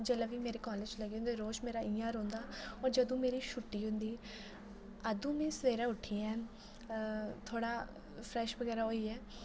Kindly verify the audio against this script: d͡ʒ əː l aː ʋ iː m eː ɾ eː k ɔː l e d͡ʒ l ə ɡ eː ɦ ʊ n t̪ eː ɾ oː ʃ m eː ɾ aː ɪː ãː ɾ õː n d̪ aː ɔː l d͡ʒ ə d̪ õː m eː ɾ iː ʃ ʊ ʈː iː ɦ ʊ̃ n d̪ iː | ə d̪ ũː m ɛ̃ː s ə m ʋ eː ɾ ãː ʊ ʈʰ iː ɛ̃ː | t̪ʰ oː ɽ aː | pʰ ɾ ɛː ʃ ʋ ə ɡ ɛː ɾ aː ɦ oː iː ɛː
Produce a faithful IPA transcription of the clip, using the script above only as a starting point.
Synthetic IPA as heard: d͡ʒ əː l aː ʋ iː m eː ɾ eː k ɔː l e d͡ʒ l ə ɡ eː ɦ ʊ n d̪ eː ɾ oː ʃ m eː ɾ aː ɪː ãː ɾ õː n d̪ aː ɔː ɾ d͡ʒ ə d̪ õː m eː ɾ iː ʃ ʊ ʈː iː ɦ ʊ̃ n d̪ iː | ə d̪ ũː m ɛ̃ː s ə ʋ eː ɾ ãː ʊ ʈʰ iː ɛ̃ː | t̪ʰ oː ɽ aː | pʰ ɾ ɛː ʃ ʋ ə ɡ ɛː ɾ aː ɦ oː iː ɛː